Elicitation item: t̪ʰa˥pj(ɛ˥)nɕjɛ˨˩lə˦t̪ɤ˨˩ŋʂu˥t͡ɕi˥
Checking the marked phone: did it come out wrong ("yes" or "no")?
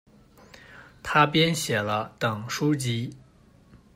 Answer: no